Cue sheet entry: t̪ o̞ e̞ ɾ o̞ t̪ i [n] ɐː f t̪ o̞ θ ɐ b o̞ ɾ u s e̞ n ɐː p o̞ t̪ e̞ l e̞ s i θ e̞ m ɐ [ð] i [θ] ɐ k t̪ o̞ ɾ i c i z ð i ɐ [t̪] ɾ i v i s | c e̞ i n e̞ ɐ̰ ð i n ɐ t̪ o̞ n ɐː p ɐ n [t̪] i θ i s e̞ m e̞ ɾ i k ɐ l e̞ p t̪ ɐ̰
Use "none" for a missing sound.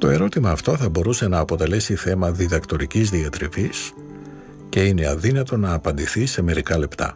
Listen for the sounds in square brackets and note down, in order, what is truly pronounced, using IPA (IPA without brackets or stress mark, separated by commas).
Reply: m, ð, ð, t̪, d̪